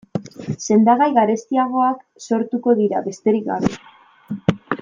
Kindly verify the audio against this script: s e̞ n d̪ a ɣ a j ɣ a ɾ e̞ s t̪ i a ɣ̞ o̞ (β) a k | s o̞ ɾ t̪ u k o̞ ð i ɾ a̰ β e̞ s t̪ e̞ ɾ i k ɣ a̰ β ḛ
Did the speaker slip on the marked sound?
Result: yes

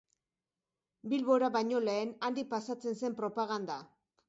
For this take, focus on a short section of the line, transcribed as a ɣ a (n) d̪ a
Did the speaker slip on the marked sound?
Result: no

